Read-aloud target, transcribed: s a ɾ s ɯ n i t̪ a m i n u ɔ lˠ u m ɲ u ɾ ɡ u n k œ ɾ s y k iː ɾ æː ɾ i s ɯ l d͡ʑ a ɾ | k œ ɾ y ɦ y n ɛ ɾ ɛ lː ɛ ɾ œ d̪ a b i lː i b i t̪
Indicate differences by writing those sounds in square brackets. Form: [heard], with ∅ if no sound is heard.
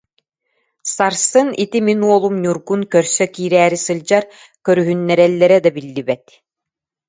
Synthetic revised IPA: s a ɾ s ɯ n i t̪ [i] m i n u ɔ lˠ u m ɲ u ɾ ɡ u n k œ ɾ s [œ] k iː ɾ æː ɾ i s ɯ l d͡ʑ a ɾ | k œ ɾ y ɦ y [nː] ɛ ɾ ɛ lː ɛ ɾ [ɛ] d̪ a b i lː i b [ɛ] t̪